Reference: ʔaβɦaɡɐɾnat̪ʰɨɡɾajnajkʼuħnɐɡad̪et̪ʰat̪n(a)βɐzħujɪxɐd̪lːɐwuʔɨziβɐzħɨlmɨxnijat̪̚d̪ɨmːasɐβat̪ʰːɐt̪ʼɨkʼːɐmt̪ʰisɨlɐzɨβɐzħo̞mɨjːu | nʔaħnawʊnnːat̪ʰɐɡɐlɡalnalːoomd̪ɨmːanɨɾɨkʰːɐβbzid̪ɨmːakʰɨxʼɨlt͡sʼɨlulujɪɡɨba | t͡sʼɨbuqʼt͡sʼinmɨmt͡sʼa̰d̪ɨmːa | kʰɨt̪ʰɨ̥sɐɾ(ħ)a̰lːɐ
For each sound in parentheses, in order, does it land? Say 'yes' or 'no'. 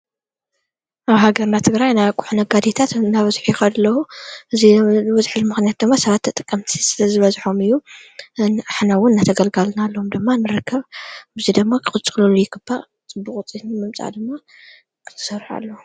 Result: yes, yes

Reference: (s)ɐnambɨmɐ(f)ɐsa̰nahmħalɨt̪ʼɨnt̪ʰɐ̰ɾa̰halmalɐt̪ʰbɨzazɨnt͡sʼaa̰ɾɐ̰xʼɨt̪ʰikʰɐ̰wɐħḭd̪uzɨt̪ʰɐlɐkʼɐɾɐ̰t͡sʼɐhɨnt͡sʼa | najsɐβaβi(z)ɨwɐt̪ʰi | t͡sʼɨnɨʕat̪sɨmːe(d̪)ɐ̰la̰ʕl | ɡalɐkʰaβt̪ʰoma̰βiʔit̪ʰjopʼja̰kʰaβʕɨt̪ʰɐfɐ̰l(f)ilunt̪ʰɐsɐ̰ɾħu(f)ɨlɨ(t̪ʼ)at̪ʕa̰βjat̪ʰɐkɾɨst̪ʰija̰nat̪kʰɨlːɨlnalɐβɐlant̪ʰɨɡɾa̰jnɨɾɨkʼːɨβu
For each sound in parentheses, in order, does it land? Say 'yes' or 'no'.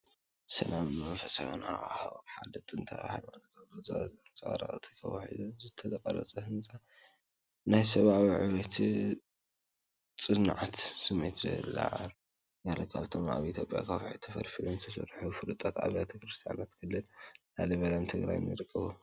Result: yes, yes, no, no, yes, yes, yes

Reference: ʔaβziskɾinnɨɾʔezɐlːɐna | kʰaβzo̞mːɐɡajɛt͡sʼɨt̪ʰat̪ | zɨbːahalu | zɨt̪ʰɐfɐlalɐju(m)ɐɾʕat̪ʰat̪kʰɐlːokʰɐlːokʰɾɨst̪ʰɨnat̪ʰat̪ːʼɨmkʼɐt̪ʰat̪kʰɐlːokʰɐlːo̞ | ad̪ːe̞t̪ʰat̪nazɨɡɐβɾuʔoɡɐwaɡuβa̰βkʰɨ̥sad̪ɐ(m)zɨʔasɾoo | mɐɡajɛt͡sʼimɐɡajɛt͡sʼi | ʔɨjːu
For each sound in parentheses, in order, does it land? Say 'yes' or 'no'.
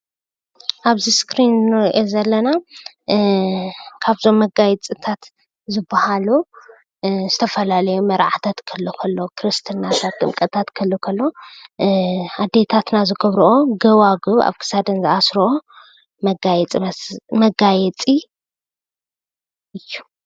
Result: yes, no

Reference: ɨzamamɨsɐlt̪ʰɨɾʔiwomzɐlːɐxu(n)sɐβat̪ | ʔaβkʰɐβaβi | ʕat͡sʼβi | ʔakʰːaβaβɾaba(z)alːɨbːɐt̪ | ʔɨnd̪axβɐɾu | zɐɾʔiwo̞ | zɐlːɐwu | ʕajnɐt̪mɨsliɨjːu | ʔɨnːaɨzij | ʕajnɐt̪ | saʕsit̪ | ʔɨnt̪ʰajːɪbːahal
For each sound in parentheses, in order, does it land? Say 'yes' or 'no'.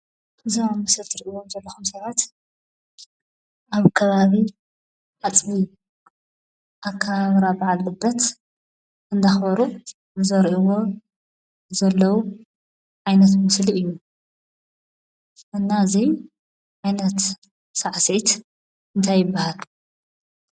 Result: no, no

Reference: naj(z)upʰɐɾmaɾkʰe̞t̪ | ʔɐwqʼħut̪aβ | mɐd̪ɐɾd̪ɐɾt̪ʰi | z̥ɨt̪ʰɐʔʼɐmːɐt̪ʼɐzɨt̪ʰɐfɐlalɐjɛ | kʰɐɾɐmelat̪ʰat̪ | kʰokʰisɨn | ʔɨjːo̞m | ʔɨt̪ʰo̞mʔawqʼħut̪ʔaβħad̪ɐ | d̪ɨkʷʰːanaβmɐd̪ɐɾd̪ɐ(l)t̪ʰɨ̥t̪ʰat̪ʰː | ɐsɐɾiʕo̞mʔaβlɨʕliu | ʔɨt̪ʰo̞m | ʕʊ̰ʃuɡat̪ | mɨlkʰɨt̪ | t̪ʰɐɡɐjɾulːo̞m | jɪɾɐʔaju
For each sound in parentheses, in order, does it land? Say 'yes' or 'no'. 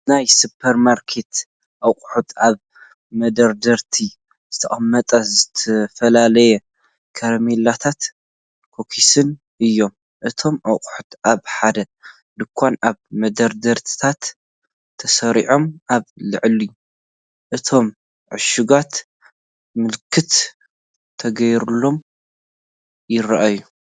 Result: no, no

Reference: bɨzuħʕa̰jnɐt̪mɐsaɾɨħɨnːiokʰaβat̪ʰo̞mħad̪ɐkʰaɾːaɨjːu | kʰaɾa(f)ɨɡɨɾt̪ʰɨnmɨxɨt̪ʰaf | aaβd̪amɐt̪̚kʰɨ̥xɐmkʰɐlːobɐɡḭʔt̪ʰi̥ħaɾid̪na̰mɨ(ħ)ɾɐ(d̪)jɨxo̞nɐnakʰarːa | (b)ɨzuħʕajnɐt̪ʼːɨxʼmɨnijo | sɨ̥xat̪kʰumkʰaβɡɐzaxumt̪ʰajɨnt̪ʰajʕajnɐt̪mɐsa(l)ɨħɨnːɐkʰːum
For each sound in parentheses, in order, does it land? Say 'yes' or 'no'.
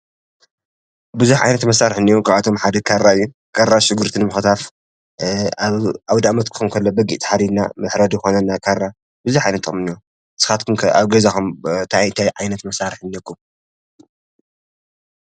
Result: no, yes, yes, yes, no

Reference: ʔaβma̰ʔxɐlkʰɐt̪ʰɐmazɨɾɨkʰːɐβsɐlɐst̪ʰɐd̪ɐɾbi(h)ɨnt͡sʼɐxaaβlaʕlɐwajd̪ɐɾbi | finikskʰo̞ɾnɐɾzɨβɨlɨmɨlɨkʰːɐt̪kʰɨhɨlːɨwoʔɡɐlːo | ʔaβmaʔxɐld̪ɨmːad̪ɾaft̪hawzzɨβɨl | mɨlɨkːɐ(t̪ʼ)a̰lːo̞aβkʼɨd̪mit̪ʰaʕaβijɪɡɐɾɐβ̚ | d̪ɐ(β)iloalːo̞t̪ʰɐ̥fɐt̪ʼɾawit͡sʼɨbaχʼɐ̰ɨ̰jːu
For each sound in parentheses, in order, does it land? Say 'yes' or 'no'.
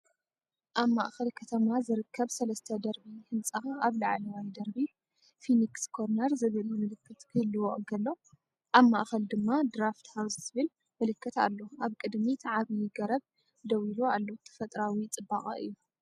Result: yes, no, no

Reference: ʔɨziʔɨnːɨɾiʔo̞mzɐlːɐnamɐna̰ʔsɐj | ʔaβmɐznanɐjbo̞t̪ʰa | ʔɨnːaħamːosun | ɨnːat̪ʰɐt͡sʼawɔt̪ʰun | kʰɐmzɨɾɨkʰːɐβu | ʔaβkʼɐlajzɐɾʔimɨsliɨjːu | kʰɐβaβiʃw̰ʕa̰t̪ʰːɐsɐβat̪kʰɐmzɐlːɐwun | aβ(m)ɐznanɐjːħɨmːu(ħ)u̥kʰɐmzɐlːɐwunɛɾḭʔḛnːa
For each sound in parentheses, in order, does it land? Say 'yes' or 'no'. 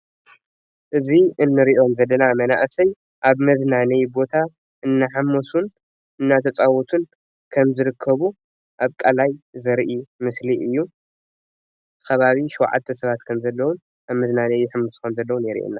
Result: yes, no

